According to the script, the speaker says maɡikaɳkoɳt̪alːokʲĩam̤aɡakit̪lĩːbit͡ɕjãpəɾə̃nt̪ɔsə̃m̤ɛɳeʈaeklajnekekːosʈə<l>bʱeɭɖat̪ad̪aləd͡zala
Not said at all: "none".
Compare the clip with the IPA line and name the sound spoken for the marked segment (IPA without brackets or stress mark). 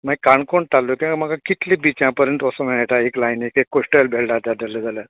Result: l